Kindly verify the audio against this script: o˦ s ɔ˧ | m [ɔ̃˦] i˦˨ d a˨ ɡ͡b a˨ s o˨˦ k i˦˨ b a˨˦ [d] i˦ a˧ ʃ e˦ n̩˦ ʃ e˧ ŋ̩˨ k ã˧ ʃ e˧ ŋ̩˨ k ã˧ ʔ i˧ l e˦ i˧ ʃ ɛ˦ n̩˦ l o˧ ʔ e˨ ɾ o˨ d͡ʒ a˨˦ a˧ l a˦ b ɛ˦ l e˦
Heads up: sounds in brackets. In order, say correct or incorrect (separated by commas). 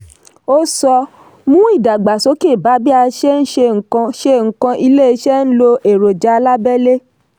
incorrect, incorrect